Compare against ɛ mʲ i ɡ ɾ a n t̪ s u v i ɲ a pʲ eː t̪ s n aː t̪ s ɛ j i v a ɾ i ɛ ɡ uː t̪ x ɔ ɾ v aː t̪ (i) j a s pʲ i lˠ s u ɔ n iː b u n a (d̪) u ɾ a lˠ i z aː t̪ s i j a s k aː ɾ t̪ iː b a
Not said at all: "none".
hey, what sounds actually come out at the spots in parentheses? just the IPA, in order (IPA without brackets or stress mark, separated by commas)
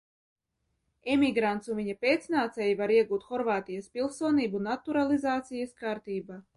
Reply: i, t̪